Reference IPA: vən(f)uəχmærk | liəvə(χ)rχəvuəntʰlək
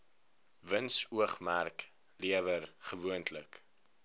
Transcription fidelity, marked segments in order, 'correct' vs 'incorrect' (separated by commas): incorrect, incorrect